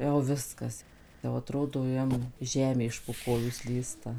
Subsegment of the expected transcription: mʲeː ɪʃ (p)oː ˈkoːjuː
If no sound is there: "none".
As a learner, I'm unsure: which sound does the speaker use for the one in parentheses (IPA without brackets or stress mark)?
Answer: p